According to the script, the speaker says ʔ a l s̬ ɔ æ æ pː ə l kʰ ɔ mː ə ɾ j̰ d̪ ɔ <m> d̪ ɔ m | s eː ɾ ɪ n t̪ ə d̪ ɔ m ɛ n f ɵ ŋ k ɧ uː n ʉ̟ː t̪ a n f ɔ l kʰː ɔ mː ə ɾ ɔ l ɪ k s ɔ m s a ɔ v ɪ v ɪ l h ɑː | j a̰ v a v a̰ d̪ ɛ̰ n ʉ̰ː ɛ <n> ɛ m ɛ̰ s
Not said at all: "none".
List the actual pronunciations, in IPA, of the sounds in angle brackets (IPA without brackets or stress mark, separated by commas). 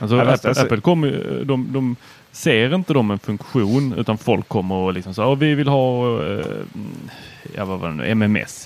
m, m